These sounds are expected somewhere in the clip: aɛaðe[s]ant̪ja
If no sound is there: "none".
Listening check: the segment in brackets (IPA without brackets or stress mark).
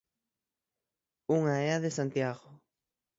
s